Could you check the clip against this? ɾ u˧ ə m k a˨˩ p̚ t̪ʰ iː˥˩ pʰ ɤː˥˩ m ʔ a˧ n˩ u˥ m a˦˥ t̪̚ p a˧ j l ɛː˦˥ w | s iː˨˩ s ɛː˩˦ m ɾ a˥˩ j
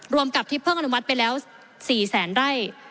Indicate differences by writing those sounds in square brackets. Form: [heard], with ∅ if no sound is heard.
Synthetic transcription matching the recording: ɾ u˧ ə m k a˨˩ p̚ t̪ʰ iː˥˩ pʰ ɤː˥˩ [ŋ] ʔ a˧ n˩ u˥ m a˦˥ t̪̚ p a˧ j l ɛː˦˥ w | s iː˨˩ s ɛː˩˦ [n] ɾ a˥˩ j